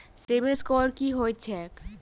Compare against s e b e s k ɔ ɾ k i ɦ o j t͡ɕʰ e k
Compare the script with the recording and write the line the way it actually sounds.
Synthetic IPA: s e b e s k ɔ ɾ k i ɦ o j t͡ɕʰ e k